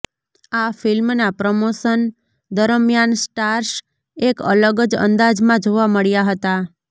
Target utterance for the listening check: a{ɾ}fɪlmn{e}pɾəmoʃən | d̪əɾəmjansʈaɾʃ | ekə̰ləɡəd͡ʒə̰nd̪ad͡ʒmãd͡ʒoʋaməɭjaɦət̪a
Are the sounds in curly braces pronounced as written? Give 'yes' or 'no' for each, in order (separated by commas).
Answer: no, no